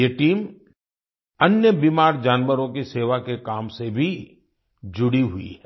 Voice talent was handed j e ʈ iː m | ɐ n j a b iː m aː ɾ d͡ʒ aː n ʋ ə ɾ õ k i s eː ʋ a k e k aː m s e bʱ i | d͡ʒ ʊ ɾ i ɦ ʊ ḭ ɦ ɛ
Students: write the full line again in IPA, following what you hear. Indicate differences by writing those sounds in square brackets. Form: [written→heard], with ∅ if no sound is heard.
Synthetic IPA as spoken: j e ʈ iː m | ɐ n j [a→ə] b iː m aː ɾ d͡ʒ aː n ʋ ə ɾ õ k i s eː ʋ a k e k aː m s e bʱ i | d͡ʒ ʊ [ɾ→ɽ] i ɦ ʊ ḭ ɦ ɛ